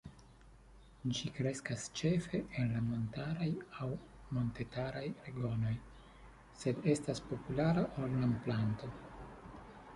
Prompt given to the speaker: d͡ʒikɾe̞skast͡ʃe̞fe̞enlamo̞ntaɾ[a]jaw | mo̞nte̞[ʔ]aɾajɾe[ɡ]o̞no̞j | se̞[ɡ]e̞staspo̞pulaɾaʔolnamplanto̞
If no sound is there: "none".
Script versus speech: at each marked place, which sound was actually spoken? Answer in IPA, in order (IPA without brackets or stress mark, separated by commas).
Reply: a, t, ɡ, d